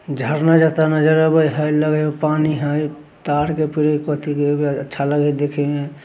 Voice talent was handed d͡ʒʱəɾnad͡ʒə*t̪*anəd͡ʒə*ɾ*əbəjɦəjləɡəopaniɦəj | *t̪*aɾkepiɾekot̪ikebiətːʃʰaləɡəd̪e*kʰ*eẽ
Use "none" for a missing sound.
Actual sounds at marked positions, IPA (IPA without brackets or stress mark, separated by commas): t̪, ɾ, t̪, kʰ